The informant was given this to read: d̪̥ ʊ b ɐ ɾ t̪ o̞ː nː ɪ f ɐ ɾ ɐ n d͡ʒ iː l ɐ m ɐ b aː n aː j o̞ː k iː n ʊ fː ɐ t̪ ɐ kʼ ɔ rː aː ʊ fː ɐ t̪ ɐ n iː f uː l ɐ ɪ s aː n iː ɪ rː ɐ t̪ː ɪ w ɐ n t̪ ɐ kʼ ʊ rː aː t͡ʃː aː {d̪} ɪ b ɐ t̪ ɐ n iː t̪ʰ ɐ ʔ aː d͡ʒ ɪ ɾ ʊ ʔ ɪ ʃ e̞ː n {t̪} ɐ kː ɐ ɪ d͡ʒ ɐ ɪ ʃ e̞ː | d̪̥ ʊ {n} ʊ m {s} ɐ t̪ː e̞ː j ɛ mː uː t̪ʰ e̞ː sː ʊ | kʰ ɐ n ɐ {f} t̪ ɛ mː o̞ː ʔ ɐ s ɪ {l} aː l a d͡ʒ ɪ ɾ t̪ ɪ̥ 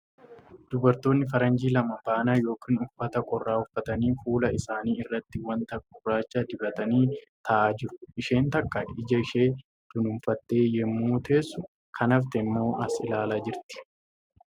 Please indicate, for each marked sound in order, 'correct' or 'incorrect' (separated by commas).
correct, correct, correct, incorrect, correct, correct